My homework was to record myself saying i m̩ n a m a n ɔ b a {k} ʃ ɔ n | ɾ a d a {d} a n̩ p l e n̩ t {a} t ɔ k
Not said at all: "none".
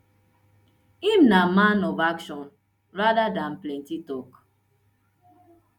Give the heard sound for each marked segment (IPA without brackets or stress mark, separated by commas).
k, d, i